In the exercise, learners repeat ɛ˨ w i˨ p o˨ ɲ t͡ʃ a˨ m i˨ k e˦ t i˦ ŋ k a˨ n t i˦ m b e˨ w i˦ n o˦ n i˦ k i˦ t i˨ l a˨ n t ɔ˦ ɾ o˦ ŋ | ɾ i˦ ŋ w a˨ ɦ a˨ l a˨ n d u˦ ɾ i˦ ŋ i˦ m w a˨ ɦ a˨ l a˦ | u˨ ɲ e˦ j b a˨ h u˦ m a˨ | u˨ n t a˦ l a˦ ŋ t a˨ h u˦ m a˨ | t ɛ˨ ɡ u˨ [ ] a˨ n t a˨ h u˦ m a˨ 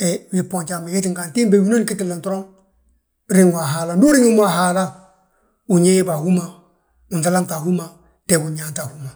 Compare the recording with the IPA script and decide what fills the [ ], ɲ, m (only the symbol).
ɲ